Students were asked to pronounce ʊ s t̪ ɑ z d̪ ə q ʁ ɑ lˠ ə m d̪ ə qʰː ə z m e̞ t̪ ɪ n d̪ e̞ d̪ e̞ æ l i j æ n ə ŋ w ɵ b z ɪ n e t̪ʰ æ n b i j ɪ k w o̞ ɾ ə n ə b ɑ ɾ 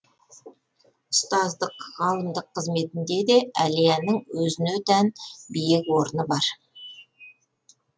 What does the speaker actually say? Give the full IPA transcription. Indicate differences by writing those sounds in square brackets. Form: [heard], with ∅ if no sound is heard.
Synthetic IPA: ʊ s t̪ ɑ z d̪ ə q ʁ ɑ lˠ ə m d̪ ə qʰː ə z m e̞ t̪ ɪ n d̪ e̞ d̪ e̞ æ l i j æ n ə ŋ w ɵ [∅] z ɪ n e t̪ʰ æ n b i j ɪ k w o̞ ɾ ə n ə b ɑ ɾ

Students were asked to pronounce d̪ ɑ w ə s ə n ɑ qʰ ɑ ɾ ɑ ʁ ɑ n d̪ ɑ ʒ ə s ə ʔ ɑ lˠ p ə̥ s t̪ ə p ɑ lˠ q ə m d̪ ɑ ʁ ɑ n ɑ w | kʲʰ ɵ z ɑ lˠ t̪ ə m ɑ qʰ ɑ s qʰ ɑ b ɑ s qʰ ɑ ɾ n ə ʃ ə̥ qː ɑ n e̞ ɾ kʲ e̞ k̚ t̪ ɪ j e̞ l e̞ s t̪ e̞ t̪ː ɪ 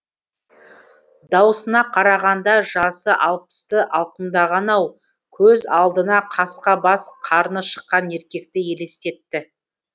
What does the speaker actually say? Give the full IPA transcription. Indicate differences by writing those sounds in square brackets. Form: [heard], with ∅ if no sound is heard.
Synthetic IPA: d̪ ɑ w ə s ə n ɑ qʰ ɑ ɾ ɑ ʁ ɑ n d̪ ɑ ʒ [ɑ] s ə ʔ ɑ lˠ p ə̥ s t̪ ə [ʔ] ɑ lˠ q ə m d̪ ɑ ʁ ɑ n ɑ w | kʲʰ ɵ z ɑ lˠ [d̪] ə [n] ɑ qʰ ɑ s [q] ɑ b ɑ s qʰ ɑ ɾ n ə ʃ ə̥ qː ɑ n e̞ ɾ kʲ e̞ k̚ t̪ ɪ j e̞ l e̞ s t̪ e̞ t̪ː ɪ

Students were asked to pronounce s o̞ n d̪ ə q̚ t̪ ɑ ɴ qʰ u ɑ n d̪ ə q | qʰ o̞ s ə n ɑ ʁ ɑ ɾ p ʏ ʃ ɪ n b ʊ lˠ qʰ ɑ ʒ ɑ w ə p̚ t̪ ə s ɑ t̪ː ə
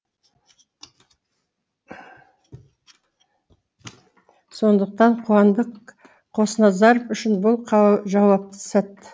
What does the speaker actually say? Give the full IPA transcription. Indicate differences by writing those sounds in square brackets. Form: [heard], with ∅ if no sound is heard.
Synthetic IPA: s o̞ n d̪ ə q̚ t̪ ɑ ɴ qʰ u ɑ n d̪ ə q | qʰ o̞ s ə n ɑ [z] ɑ ɾ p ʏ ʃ ɪ n b ʊ lˠ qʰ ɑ ʒ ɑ w [ɑ] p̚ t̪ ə s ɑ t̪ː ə

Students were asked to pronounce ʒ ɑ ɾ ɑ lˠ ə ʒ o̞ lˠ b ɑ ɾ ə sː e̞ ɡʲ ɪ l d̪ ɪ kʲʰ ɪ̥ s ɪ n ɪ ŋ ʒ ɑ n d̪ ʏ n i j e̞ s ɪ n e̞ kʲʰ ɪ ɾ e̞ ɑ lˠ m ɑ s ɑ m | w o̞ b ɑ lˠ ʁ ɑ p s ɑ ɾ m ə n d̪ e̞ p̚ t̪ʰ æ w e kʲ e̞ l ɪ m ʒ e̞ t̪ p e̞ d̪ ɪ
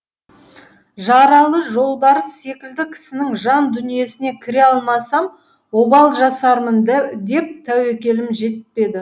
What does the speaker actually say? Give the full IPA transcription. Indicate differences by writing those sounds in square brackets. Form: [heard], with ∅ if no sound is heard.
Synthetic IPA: ʒ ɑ ɾ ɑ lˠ ə ʒ o̞ lˠ b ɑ ɾ ə sː e̞ [kʲ] ɪ l d̪ ɪ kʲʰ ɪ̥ s ɪ n ɪ ŋ ʒ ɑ n d̪ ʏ n i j e̞ s ɪ n e̞ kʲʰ ɪ ɾ e̞ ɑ lˠ m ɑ s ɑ m | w o̞ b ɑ lˠ [ʒ] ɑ [∅] s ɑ ɾ m ə n d̪ e̞ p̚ t̪ʰ æ w e kʲ e̞ l ɪ m ʒ e̞ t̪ p e̞ d̪ ɪ

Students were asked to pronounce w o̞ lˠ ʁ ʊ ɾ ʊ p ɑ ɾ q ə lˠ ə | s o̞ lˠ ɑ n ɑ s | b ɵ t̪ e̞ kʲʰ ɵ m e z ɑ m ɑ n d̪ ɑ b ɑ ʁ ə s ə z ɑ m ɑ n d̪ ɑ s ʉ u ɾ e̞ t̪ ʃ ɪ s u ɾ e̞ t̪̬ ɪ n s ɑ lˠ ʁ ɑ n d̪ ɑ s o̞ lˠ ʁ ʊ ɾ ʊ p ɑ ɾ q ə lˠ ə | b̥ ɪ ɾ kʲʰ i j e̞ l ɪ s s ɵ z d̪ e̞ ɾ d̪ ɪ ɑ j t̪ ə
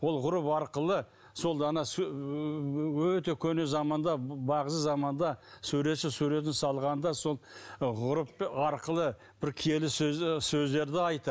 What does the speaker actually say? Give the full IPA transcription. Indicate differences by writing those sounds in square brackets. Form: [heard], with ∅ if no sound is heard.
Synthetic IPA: w o̞ lˠ ʁ ʊ ɾ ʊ p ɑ ɾ q ə lˠ ə | s o̞ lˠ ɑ n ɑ s | [w] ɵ t̪ e̞ kʲʰ ɵ [n] e z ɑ m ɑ n d̪ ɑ b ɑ ʁ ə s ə z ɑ m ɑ n d̪ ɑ s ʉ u ɾ e̞ t̪ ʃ ɪ s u ɾ e̞ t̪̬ ɪ n s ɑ lˠ ʁ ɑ n d̪ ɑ s o̞ lˠ ʁ ʊ ɾ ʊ p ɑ ɾ q ə lˠ ə | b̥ ɪ ɾ kʲʰ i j e̞ l ɪ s s ɵ z d̪ e̞ ɾ d̪ ɪ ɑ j t̪ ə

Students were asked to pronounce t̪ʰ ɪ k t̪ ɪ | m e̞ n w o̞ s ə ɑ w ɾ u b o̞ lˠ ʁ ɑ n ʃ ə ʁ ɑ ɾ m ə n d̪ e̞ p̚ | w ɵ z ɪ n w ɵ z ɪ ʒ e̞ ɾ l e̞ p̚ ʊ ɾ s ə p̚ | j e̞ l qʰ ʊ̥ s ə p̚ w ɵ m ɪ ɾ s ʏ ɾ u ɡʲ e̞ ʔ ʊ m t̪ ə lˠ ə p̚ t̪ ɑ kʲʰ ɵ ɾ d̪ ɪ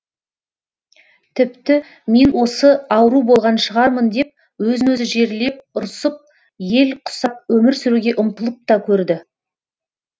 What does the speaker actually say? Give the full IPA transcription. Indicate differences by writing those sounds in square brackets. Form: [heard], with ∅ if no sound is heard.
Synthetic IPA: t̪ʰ ɪ [p] t̪ ɪ | m e̞ n w o̞ s ə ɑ w ɾ u b o̞ lˠ ʁ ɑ n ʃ ə ʁ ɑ ɾ m ə n d̪ e̞ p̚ | w ɵ z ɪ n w ɵ z ɪ ʒ e̞ ɾ l e̞ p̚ ʊ ɾ s ə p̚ | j e̞ l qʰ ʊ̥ s [ɑ] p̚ w ɵ m ɪ ɾ s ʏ ɾ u ɡʲ e̞ ʔ ʊ m t̪ ə lˠ ə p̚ t̪ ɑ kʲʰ ɵ ɾ d̪ ɪ

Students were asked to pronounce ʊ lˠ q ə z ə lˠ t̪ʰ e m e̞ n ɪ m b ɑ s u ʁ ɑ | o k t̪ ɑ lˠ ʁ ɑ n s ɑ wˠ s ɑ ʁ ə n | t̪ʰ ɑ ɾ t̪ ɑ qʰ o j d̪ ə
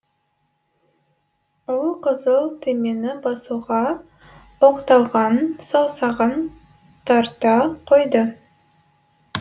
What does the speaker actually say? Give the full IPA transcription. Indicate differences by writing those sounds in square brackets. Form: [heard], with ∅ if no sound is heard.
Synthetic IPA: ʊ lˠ q ə z ə lˠ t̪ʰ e m e̞ n ɪ [∅] b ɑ s u ʁ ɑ | o [q] t̪ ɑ lˠ ʁ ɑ n s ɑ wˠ s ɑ ʁ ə n | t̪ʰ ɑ ɾ t̪ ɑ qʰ o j d̪ ə

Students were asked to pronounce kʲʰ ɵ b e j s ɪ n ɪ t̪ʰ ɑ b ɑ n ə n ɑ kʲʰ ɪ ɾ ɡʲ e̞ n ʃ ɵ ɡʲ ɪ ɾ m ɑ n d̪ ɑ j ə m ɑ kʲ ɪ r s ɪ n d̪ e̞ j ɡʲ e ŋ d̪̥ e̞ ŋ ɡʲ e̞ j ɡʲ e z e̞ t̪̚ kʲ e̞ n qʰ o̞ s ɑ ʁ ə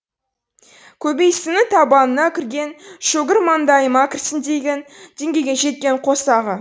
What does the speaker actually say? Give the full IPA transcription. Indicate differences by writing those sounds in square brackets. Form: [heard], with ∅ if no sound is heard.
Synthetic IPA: kʲʰ ɵ b e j s ɪ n ɪ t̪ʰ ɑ b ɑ n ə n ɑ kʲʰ ɪ ɾ ɡʲ e̞ n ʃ ɵ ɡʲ ɪ ɾ m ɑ n d̪ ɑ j ə m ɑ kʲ ɪ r s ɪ n d̪ e̞ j ɡʲ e [n] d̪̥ e̞ ŋ ɡʲ e̞ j ɡʲ e [ʒ] e̞ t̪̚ kʲ e̞ [ɴ] qʰ o̞ s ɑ ʁ ə

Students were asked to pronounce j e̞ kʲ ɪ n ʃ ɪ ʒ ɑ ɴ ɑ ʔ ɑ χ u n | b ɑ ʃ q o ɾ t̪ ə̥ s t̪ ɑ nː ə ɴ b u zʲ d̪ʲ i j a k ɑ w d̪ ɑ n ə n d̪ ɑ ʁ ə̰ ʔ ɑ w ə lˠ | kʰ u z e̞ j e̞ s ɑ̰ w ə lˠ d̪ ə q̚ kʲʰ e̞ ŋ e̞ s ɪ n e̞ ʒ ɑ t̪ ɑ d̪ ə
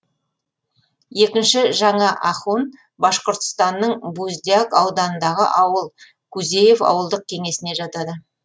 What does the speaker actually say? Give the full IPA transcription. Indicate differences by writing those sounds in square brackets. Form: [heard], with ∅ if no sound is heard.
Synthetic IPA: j e̞ kʲ ɪ n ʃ ɪ ʒ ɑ ɴ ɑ ʔ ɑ χ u n | b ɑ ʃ q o ɾ t̪ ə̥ s t̪ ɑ nː ə ɴ b u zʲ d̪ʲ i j a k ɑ w d̪ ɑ n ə n d̪ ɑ ʁ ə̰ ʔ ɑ w ə lˠ | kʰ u z e̞ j e̞ [f] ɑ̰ w ə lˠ d̪ ə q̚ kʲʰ e̞ ŋ e̞ s ɪ n e̞ ʒ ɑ t̪ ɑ d̪ ə

